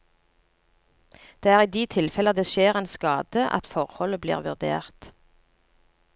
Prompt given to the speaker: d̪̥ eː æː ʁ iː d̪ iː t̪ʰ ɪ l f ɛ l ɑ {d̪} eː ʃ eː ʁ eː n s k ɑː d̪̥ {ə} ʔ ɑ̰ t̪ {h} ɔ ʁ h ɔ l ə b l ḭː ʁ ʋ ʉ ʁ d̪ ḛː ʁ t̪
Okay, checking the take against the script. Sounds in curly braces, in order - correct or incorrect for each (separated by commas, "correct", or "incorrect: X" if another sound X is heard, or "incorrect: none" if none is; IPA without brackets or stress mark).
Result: correct, correct, incorrect: f